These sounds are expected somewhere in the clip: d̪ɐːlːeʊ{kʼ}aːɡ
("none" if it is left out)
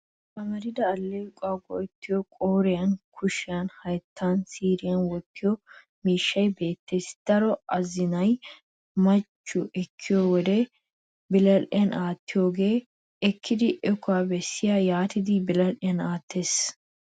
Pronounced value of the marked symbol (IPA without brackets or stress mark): kʼ